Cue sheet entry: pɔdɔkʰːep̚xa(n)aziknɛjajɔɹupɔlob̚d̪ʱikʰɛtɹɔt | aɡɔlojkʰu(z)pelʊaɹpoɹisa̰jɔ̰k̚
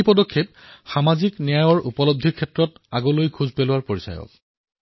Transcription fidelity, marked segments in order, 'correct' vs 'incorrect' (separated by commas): incorrect, correct